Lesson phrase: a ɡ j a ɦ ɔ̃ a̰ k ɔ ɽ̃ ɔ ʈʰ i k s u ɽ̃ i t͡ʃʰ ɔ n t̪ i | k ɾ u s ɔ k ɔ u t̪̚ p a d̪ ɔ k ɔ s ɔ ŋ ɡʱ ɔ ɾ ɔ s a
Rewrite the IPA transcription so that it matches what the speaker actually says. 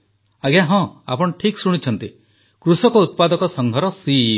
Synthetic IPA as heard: a ɡ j a ɦ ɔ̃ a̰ p ɔ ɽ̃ ɔ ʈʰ i k s u ɽ̃ i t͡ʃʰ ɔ n t̪ i | k ɾ u s ɔ k ɔ u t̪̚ p a d̪ ɔ k ɔ s ɔ ŋ ɡʱ ɔ ɾ ɔ s i